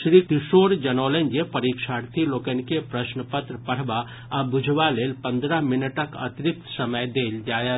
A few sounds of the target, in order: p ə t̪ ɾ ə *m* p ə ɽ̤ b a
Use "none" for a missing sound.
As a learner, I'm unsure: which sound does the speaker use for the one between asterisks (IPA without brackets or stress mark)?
none